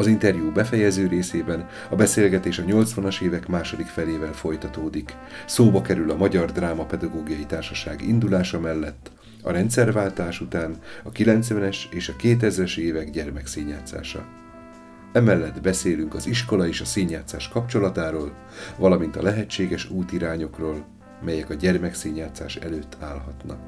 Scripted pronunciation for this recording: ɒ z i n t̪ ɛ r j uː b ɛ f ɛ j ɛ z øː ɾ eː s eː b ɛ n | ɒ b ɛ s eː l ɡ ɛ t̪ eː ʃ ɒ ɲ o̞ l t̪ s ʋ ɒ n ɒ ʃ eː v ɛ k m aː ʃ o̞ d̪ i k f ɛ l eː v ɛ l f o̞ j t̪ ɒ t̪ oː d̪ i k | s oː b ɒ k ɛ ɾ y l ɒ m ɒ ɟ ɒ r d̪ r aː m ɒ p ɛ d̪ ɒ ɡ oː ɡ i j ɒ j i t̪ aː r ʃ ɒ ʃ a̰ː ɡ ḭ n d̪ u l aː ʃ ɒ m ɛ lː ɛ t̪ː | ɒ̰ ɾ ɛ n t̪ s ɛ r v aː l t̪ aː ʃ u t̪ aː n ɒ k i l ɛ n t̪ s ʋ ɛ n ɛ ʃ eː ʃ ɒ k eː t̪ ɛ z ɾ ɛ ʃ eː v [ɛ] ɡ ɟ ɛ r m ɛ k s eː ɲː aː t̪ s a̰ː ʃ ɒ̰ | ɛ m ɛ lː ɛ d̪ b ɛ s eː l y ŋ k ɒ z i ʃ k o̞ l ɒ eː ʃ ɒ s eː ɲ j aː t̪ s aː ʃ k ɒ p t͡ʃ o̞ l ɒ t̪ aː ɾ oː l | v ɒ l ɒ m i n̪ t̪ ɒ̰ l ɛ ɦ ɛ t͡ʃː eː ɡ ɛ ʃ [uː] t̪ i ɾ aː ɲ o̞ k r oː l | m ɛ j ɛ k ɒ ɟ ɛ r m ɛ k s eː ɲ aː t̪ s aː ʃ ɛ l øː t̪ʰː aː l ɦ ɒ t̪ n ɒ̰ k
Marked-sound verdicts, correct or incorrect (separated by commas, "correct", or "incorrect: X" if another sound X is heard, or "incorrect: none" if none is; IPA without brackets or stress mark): correct, correct